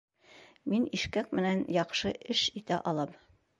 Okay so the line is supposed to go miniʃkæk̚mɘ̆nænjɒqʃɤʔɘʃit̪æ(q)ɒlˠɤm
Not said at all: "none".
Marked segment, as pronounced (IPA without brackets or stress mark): ʔ